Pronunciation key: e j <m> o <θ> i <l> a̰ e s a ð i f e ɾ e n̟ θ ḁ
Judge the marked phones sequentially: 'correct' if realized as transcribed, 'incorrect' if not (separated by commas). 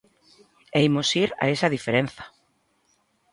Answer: correct, incorrect, incorrect